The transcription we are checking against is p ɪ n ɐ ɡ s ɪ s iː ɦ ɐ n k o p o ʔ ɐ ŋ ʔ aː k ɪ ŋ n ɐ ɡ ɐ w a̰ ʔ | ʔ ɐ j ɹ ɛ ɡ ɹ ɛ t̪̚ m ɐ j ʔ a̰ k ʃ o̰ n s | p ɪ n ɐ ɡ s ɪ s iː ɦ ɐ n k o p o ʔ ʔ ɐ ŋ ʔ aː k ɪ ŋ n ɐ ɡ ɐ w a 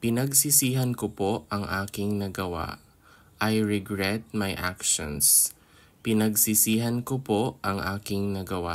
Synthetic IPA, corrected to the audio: p ɪ n ɐ ɡ s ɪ s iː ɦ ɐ n k o p o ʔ ɐ ŋ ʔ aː k ɪ ŋ n ɐ ɡ ɐ w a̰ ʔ | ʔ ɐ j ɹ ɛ ɡ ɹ ɛ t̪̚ m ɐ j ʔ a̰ k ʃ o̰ n s | p ɪ n ɐ ɡ s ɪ s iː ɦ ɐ n k o p o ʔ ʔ ɐ ŋ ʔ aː k ɪ ŋ n ɐ ɡ ɐ w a